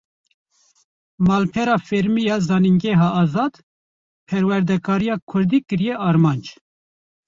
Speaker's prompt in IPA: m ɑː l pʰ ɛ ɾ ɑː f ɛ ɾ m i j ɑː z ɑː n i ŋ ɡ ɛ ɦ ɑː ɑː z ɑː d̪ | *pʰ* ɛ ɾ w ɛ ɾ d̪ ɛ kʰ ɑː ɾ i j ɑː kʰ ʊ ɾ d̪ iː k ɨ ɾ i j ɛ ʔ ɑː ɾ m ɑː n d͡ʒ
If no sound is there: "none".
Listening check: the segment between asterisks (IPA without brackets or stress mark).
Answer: pʰ